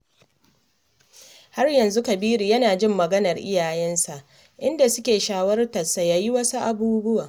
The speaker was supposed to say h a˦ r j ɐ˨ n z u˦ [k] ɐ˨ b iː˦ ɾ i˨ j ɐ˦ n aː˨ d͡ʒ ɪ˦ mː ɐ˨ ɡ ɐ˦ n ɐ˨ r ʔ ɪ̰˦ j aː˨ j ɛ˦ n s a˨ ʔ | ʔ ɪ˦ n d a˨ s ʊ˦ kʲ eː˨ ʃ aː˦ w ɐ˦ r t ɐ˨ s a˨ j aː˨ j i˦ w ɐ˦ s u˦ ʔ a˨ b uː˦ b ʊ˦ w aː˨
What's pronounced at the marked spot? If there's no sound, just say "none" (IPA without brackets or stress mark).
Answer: k